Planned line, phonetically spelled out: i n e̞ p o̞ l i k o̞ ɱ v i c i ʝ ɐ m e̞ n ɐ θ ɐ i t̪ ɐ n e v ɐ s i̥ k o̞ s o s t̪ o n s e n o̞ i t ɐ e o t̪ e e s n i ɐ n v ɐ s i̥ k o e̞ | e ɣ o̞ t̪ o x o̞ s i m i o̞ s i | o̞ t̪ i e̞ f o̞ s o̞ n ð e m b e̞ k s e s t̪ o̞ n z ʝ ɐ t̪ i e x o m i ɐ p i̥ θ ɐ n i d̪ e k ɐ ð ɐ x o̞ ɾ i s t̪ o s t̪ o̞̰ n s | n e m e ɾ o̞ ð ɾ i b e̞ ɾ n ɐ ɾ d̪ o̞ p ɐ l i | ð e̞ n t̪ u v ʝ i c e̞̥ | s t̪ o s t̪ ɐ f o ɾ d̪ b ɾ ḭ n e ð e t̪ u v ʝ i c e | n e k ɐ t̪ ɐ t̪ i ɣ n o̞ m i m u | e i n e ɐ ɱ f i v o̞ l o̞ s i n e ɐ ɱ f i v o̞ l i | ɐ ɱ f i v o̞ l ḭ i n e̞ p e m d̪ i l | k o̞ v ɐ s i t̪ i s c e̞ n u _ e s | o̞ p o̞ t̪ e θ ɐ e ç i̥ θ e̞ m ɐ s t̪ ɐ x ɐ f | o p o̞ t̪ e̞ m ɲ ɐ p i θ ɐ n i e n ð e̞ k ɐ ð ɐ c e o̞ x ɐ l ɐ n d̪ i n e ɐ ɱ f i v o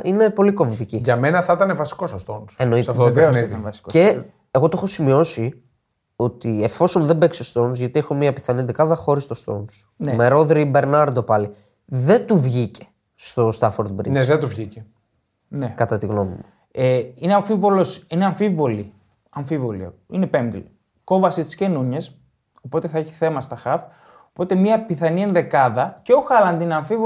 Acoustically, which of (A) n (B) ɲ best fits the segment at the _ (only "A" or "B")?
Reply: B